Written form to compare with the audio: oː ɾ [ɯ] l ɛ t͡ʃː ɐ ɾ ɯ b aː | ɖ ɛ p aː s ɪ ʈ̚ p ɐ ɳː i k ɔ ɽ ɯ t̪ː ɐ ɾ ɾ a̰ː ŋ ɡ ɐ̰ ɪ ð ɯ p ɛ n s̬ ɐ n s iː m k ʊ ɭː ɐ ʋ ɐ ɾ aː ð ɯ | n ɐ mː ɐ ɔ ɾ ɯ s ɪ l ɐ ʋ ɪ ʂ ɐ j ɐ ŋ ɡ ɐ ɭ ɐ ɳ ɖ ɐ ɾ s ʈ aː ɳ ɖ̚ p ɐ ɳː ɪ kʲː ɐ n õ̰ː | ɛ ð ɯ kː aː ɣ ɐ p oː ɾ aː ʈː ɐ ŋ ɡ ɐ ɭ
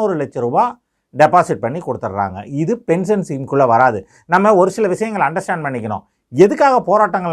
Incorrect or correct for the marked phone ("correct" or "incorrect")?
correct